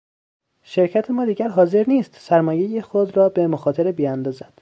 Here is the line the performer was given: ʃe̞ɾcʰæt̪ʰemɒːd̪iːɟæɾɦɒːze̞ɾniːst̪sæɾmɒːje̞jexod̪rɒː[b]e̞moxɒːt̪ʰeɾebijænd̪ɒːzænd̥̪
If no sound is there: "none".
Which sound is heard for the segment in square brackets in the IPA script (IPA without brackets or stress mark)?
b